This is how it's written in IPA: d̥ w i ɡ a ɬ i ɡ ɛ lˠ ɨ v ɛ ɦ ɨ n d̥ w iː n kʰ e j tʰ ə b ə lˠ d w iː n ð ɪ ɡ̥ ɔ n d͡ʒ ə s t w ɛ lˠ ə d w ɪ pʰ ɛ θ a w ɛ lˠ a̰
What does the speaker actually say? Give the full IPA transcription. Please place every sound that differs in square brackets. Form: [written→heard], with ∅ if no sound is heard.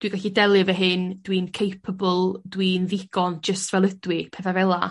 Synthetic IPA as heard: d̥ w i ɡ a ɬ i [ɡ→d] ɛ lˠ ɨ v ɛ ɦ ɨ n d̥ w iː n kʰ e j [tʰ→pʰ] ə b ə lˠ d w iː n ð ɪ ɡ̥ ɔ n d͡ʒ ə s t [w→v] ɛ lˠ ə d w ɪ pʰ ɛ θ a [w→v] ɛ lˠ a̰